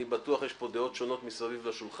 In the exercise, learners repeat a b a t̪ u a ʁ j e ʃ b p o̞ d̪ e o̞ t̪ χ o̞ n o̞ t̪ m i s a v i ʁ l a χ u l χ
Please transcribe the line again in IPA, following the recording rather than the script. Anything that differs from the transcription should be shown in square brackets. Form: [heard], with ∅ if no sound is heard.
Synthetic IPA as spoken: [i] b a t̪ u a [χ] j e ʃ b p o̞ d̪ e o̞ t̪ [ʃ] o̞ n o̞ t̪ m i s a v i [v] l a [ʃ] u l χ